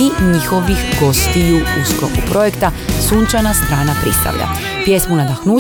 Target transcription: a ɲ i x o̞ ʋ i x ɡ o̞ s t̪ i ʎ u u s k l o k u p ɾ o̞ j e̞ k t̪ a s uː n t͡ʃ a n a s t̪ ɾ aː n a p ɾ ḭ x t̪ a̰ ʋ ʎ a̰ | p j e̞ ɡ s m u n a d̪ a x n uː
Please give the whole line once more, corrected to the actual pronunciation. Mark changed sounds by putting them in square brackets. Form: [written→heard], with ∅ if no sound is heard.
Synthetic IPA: [a→i] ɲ i x o̞ ʋ i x ɡ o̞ s t̪ i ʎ u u s k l o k u p ɾ o̞ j e̞ k t̪ a s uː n t͡ʃ a n a s t̪ ɾ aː n a p ɾ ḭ [x→s] t̪ a̰ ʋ ʎ a̰ | p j e̞ [ɡ→∅] s m u n a d̪ a x n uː